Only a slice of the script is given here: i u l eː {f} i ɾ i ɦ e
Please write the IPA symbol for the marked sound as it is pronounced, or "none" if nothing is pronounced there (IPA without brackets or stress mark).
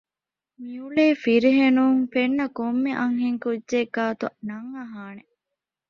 f